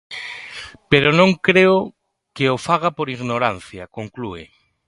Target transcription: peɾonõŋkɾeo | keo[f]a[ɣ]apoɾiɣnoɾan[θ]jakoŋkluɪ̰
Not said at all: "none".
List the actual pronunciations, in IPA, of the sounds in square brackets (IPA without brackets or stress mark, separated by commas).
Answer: f, ɣ, θ